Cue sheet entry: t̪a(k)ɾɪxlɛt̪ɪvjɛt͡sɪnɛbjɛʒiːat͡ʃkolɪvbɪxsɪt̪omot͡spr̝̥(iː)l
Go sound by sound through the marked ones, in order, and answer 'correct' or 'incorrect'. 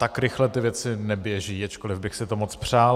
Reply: correct, incorrect: aː

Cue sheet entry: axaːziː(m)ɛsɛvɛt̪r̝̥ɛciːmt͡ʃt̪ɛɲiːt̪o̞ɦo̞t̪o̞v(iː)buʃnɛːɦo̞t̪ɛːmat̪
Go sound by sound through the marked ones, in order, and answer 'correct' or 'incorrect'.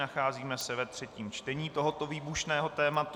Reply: correct, correct

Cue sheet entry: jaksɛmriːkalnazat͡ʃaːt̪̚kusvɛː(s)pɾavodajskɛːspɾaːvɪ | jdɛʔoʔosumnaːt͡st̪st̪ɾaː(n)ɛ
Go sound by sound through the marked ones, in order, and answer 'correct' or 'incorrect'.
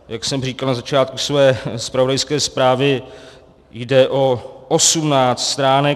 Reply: correct, correct

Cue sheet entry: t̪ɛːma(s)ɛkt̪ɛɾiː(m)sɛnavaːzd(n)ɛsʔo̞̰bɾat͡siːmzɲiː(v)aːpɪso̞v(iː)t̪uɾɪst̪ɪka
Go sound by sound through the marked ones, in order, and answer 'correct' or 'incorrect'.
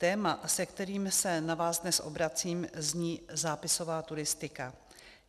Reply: correct, correct, correct, incorrect: z, incorrect: aː

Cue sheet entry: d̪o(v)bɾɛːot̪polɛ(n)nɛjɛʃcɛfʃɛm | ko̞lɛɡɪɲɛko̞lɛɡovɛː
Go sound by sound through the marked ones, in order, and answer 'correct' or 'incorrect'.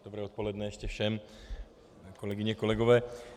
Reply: incorrect: none, incorrect: d

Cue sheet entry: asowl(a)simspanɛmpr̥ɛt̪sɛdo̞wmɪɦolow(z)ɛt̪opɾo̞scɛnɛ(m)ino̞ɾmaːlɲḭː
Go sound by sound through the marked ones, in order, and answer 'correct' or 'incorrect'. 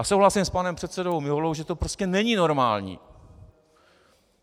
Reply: correct, incorrect: ʒ, incorrect: ɲ

